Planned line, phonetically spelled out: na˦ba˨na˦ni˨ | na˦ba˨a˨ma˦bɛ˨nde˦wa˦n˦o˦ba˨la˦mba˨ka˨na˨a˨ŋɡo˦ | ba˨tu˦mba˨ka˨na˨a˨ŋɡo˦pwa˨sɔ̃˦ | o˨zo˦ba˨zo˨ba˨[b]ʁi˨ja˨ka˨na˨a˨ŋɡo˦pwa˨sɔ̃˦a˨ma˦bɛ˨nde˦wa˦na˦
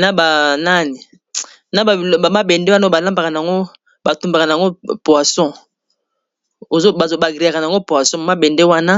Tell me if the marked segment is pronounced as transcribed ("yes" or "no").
no